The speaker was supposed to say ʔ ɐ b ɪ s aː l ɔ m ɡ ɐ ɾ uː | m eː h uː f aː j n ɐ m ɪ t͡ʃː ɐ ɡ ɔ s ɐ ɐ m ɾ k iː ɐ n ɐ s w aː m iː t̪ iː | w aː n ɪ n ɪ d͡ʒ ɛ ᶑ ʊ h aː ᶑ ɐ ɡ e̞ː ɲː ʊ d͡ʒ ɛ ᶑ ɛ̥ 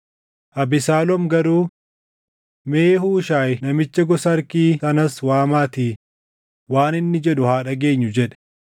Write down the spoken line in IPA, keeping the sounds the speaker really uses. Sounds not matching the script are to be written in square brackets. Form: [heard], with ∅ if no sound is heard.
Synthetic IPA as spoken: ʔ ɐ b ɪ s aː l ɔ m ɡ ɐ ɾ uː | m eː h uː [ʃ] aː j n ɐ m ɪ t͡ʃː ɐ ɡ ɔ s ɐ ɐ [∅] ɾ k iː ɐ n ɐ s w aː m [aː] t̪ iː | w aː n ɪ [nː] ɪ d͡ʒ ɛ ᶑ ʊ h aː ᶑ ɐ ɡ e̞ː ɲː ʊ d͡ʒ ɛ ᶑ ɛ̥